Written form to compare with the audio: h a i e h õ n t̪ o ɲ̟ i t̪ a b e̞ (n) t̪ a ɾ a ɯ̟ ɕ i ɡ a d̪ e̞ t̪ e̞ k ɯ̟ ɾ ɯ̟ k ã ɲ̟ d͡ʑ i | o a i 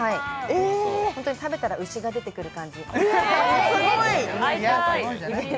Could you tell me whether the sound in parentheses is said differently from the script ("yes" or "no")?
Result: yes